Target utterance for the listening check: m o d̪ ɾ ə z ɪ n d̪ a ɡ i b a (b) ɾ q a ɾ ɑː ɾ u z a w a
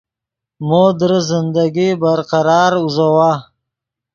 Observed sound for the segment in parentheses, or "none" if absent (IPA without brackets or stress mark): none